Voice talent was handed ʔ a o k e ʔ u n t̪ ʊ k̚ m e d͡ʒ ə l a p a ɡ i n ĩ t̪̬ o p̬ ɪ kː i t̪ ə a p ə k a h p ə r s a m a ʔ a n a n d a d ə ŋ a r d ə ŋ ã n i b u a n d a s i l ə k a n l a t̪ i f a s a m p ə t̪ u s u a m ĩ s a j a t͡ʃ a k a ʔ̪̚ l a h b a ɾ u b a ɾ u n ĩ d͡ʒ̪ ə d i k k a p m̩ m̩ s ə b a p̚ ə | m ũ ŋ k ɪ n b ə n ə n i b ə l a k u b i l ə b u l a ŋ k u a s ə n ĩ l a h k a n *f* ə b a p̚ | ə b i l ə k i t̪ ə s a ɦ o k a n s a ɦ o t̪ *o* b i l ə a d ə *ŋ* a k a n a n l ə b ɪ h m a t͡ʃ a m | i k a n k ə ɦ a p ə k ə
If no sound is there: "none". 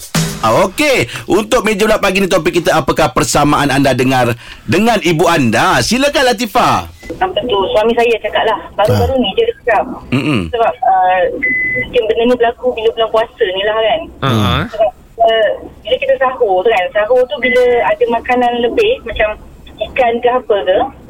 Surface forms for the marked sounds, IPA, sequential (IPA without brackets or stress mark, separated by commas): s, u, m